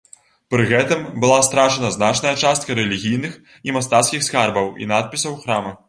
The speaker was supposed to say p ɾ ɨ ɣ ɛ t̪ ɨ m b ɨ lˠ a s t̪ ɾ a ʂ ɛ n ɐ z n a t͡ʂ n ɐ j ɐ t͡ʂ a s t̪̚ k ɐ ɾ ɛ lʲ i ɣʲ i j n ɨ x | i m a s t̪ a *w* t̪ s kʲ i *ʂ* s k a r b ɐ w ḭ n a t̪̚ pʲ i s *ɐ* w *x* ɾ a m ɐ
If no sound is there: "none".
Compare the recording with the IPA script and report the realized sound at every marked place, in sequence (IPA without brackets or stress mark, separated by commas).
none, x, ɐ, x